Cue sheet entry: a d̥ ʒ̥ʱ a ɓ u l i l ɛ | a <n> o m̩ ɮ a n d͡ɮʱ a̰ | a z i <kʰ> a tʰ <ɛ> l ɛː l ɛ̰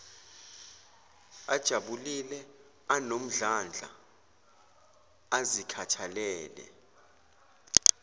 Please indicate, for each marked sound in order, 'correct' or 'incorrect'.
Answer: correct, correct, incorrect

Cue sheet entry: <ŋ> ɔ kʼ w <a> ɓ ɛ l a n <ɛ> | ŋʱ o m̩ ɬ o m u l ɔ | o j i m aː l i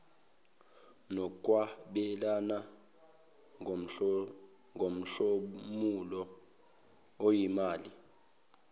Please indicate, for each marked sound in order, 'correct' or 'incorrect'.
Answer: incorrect, correct, incorrect

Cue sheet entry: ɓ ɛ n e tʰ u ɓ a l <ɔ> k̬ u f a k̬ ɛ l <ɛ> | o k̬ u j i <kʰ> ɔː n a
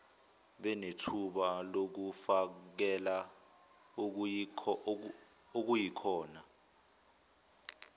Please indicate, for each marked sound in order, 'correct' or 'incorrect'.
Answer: incorrect, incorrect, correct

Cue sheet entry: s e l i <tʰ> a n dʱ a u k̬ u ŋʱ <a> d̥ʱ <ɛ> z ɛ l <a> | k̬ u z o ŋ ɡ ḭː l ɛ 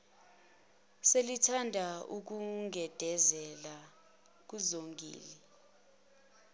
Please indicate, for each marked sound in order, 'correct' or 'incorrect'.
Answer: correct, incorrect, correct, correct

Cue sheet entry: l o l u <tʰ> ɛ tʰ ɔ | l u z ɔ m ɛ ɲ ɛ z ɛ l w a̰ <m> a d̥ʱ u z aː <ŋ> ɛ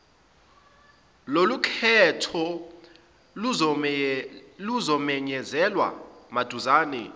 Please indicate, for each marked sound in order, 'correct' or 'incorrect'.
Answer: incorrect, correct, incorrect

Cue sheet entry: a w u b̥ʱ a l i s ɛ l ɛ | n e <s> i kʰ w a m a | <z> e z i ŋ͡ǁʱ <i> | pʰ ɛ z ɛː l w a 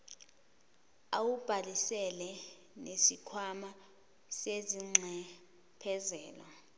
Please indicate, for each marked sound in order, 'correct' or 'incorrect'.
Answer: correct, incorrect, incorrect

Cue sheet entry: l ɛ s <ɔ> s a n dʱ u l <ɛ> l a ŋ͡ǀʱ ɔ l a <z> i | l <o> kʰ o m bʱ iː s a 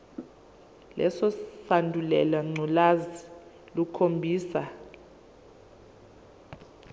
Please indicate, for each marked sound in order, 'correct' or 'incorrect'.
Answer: correct, correct, correct, incorrect

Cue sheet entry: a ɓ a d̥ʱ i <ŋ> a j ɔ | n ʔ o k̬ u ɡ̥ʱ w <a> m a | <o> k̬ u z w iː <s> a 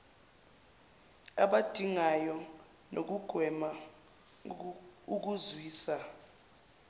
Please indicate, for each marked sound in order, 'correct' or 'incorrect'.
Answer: correct, incorrect, incorrect, correct

